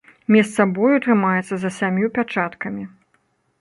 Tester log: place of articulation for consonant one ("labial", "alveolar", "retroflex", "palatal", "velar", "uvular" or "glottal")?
labial